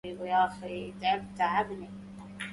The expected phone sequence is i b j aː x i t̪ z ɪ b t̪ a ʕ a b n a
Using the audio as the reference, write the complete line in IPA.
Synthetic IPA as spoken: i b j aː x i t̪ ʕ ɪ b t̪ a ʕ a b n i